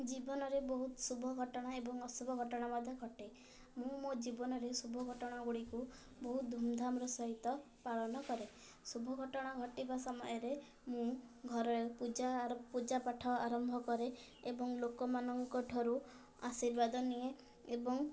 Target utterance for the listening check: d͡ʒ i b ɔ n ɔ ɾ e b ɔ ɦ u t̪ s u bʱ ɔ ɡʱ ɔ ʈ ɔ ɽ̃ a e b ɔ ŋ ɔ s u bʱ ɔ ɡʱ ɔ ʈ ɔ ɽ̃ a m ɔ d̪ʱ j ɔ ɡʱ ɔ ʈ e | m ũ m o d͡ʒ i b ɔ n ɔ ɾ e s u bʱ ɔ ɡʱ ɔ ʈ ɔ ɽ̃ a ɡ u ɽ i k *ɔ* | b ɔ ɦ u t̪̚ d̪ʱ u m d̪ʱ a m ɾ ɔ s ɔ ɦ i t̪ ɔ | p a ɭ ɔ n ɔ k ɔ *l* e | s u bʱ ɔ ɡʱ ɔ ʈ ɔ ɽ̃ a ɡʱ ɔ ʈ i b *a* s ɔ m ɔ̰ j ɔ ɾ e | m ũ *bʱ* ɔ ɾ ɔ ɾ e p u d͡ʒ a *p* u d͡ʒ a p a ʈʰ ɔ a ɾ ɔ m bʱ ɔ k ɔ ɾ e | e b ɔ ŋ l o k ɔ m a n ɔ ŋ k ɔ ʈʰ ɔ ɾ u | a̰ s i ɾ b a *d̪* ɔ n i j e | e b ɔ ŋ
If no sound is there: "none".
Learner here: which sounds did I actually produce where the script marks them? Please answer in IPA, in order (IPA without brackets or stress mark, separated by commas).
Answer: u, ɾ, a, ɡʱ, p, d̪